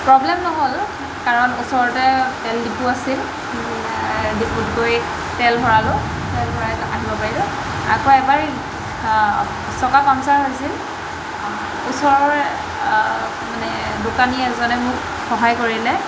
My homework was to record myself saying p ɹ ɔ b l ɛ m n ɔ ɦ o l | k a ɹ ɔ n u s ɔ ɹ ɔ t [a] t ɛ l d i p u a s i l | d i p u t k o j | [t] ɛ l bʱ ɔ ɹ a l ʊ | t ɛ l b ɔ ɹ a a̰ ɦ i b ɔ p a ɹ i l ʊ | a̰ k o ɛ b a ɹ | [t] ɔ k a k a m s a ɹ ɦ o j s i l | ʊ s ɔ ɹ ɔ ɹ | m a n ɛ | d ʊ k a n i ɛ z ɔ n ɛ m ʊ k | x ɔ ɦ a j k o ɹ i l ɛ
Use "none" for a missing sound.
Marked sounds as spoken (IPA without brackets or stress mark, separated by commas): ɛ, t, s